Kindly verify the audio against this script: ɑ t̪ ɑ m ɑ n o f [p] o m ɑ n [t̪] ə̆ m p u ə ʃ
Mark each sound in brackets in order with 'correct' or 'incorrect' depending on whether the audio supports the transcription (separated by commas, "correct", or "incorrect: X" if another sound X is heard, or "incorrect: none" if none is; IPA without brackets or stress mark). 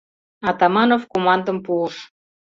incorrect: k, incorrect: d̪